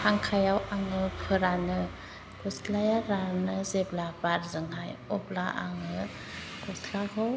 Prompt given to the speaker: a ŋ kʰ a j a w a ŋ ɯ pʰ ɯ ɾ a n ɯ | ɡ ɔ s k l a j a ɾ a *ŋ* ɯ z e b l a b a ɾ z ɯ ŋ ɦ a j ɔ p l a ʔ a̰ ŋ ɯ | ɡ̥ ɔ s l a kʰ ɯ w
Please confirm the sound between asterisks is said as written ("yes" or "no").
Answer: no